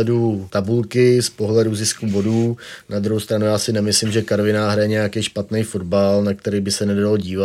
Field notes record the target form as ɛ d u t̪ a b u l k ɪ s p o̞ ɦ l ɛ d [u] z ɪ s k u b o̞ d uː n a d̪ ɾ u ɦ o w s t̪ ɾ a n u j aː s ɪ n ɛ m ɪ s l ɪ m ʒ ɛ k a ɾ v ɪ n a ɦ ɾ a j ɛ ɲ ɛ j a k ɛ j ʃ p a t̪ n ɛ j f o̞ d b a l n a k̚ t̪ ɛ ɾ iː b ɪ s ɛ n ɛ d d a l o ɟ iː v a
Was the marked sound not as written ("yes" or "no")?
no